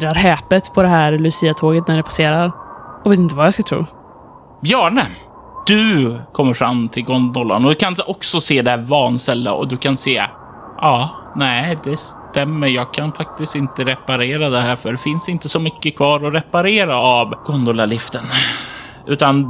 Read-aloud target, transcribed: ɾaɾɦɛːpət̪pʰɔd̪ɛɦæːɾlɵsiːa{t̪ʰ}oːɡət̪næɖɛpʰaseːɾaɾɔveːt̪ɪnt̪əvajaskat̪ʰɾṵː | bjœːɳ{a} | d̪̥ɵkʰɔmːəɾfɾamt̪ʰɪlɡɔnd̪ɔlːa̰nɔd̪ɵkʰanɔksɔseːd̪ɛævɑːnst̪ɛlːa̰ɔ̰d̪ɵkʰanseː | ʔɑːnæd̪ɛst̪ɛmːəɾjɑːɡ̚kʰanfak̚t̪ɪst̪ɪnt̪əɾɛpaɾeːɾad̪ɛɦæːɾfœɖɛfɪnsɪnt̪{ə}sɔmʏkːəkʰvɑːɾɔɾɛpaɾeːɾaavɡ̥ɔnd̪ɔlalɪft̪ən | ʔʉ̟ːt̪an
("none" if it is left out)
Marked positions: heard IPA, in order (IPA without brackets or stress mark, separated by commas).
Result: t̪ʰ, ə, ə